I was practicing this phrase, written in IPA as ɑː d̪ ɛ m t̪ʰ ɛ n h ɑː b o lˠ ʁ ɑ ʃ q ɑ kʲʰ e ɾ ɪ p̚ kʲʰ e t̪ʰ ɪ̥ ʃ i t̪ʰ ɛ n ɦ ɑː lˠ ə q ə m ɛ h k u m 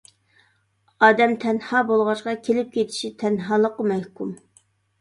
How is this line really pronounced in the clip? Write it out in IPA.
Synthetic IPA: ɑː d̪ ɛ m t̪ʰ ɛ n h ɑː b o lˠ ʁ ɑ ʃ q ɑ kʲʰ e l ɪ p̚ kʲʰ e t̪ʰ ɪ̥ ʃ i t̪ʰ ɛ n ɦ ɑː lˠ ə q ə m ɛ h k u m